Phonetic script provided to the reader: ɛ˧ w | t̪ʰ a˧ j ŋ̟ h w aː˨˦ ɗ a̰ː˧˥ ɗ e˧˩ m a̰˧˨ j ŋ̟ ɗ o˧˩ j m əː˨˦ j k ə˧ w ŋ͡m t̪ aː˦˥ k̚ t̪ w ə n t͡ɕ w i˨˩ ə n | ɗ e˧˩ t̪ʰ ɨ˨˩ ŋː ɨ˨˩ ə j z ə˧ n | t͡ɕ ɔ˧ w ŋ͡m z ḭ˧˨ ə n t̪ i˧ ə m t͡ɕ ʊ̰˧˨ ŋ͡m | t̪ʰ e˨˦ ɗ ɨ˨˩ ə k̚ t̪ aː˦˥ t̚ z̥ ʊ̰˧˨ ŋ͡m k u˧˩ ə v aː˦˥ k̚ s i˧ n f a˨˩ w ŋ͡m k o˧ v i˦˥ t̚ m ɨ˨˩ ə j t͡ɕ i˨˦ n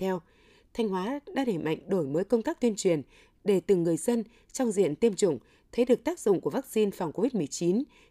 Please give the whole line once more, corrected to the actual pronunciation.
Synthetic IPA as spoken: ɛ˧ w | t̪ʰ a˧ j ŋ̟ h w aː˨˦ ɗ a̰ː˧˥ ɗ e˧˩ m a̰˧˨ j ŋ̟ ɗ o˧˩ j m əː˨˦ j k ə˧ w ŋ͡m t̪ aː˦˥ k̚ t̪ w ə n t͡ɕ w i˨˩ ə n | ɗ e˧˩ t̪ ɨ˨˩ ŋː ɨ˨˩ ə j z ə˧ n | t͡ɕ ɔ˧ w ŋ͡m z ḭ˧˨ ə n t̪ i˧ ə m t͡ɕ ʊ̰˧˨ ŋ͡m | t̪ʰ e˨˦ ɗ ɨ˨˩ ə k̚ t̪ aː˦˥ k̚ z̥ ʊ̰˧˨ ŋ͡m k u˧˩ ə v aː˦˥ k̚ s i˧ n f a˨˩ w ŋ͡m k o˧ v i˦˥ t̚ m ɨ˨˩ ə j t͡ɕ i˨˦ n